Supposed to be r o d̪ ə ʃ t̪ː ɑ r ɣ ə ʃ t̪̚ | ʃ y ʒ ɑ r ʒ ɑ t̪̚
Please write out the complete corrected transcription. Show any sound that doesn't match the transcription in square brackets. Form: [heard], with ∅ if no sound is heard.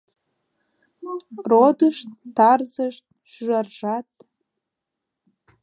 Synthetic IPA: r o d̪ ə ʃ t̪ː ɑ r [z] ə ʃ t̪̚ | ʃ y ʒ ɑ r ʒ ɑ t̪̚